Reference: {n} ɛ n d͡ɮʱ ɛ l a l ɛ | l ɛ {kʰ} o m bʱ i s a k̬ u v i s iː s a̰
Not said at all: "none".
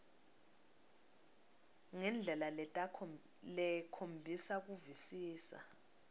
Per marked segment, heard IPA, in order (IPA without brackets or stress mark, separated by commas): ŋ, kʰ